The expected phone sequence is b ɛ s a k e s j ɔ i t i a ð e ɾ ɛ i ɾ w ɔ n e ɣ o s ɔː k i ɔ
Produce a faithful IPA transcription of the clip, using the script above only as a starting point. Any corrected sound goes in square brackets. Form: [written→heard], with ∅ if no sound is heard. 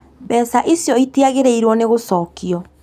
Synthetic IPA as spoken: b ɛ s a [k→ʔ] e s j ɔ i t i a [ð→ɣ] e ɾ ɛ i ɾ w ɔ n e ɣ o s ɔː k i ɔ